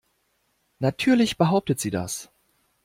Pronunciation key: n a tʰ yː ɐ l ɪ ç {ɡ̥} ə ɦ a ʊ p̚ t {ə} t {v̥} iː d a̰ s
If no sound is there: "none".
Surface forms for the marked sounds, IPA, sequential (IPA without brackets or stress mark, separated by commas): b̥, ə, z̥